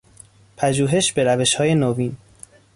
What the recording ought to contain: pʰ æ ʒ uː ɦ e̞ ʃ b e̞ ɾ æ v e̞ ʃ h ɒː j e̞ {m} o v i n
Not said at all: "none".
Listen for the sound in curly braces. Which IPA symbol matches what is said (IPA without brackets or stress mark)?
n